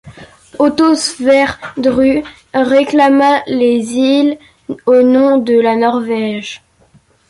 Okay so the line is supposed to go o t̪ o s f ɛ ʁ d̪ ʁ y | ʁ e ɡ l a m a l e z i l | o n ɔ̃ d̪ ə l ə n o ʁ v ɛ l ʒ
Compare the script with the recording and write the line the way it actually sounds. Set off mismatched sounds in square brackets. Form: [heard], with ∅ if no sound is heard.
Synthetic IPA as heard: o t̪ o s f ɛ ʁ d̪ ʁ y | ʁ e [k] l a m a l e z i l | o n ɔ̃ d̪ ə l [a] n [ɔ] ʁ v ɛ [∅] ʒ